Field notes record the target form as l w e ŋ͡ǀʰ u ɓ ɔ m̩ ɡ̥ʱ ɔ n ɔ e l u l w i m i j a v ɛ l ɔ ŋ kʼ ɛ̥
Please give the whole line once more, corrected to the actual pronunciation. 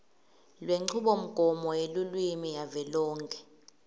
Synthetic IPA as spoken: l w e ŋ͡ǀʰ u ɓ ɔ m̩ ɡ̥ʱ ɔ m ɔ e l u l w i m i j a v ɛ l ɔː ŋ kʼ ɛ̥